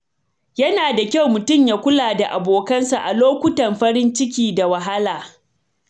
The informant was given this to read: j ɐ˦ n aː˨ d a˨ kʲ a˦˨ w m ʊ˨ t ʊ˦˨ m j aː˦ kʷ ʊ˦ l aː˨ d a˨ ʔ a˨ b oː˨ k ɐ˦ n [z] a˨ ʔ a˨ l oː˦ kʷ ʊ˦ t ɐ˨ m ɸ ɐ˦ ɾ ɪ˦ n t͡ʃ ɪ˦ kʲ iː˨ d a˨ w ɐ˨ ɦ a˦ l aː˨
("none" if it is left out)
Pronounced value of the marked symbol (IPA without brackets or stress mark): s